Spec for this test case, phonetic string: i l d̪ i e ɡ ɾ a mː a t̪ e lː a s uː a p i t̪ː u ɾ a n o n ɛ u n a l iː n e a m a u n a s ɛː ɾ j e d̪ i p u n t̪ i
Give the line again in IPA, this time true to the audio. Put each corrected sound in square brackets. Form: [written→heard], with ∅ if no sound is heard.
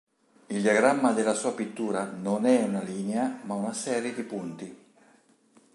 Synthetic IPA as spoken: i l d̪ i [e→a] ɡ ɾ a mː a [t̪→d̪] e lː a s uː a p i t̪ː [u→uː] ɾ a n o n ɛ u n a l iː n e a m a u n a s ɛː ɾ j e d̪ i p u n t̪ i